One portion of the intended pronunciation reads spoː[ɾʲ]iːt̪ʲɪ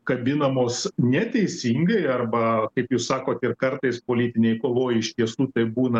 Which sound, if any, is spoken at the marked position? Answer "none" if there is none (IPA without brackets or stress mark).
lʲ